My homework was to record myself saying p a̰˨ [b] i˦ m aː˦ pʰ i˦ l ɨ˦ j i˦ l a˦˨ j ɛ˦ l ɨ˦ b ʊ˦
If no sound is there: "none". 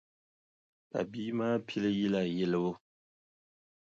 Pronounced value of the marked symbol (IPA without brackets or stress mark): b